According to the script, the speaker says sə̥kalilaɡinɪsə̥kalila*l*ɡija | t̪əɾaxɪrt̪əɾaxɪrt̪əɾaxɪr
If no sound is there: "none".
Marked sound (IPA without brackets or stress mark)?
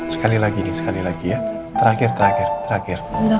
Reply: none